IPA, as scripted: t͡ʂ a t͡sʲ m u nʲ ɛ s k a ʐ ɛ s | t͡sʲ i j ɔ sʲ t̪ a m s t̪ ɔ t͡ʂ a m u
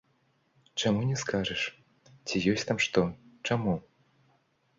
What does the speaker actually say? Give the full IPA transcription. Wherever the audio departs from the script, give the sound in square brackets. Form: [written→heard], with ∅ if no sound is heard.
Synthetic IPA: t͡ʂ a [t͡sʲ→∅] m u nʲ ɛ s k a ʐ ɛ [s→ʂ] | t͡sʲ i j ɔ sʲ t̪ a m [s→ʂ] t̪ ɔ t͡ʂ a m u